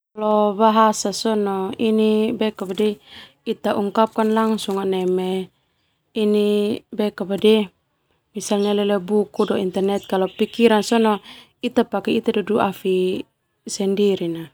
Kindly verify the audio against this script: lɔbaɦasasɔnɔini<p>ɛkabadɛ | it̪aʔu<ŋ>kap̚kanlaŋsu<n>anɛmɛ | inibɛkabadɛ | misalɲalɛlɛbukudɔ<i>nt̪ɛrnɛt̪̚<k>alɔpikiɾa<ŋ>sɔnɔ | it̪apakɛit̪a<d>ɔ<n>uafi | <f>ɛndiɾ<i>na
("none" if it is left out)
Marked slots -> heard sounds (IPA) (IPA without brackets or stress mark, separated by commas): b, ŋ, ŋ, i, k, n, d, d, s, i